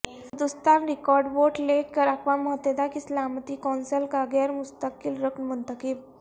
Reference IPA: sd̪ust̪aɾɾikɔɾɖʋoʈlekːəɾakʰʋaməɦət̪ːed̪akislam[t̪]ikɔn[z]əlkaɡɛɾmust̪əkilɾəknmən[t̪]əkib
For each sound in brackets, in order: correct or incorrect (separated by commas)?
correct, incorrect, correct